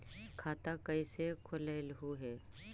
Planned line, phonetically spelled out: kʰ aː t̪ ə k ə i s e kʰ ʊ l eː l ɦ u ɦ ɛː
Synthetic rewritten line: kʰ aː t̪ a k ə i s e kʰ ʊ l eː l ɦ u ɦ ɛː

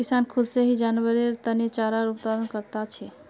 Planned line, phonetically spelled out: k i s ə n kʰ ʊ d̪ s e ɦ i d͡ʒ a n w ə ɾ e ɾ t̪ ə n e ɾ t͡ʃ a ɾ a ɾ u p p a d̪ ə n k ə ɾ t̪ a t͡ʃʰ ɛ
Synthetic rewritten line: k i s a n kʰ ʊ d̪ s e ɦ i d͡ʒ a n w ə ɾ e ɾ t̪ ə n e t͡ʃ a ɾ a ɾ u p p a d̪ ə n k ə ɾ t̪ a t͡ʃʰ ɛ

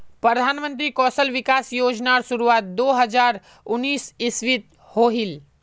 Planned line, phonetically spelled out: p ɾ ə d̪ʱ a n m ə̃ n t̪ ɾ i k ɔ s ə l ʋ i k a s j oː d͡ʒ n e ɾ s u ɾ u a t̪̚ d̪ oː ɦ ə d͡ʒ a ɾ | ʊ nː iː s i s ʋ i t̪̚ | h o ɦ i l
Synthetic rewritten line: p ɾ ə d̪ʱ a n m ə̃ n t̪ ɾ i k ɔ s ə l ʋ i k a s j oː d͡ʒ n a ɾ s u ɾ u a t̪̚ d̪ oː ɦ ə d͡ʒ a ɾ | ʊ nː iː s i s ʋ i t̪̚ | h o ɦ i l

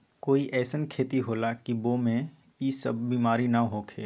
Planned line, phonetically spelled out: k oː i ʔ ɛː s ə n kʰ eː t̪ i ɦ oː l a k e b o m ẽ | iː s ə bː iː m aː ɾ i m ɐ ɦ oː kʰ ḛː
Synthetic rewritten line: k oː i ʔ ɛː s ə n kʰ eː t̪ i ɦ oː l a k i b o m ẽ | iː s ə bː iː m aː ɾ i n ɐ ɦ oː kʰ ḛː

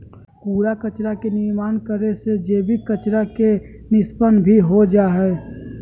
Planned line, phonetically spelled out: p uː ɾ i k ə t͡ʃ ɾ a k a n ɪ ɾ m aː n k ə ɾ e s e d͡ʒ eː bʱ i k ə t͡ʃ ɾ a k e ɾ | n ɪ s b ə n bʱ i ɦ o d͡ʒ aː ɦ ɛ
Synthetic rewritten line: p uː ɾ a k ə t͡ʃ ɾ a k e n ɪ ɾ m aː n k ə ɾ e s e d͡ʒ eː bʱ i k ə t͡ʃ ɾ a k e | n ɪ s p ə n bʱ i ɦ o d͡ʒ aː ɦ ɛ

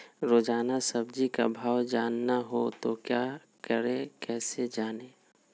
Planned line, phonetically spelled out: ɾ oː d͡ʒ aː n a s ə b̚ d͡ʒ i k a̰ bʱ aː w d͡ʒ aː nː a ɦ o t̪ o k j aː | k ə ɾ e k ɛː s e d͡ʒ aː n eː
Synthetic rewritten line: ɾ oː d͡ʒ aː n a s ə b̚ d͡ʒ i k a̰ bʱ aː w d͡ʒ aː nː a ɦ o t̪ o k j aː | k ə ɾ e k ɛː s e d͡ʒ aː n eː

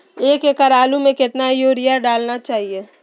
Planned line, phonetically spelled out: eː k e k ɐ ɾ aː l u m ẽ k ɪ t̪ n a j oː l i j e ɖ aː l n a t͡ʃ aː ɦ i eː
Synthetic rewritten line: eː k e k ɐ ɾ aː l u m ẽ k ɪ t̪ n a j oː ɾ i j a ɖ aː l n a t͡ʃ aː ɦ i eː

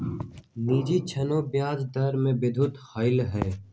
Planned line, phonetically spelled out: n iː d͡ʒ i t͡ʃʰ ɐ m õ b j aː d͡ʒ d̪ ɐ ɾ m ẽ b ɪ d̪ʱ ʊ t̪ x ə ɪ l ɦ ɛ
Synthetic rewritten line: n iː d͡ʒ i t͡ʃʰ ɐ n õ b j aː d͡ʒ d̪ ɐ ɾ m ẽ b ɪ d̪ʱ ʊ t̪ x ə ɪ l ɦ ɛː

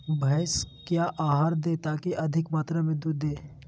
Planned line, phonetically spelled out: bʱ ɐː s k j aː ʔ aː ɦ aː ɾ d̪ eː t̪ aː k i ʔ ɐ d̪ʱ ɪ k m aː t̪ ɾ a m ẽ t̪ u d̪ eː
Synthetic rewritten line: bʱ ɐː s k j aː ʔ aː ɦ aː ɾ d̪ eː t̪ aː k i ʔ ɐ d̪ʱ ɪ k m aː t̪ ɾ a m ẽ d̪ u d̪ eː

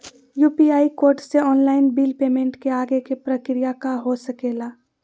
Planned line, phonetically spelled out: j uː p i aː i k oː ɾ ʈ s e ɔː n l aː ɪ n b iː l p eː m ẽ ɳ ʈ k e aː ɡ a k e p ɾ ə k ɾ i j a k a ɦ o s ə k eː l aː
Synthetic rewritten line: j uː p i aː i k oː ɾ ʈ s e ɔː n l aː ɪ n b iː l p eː m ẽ ɳ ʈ k e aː ɡ e k e p ɾ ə k ɾ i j a k a ɦ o s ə k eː l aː

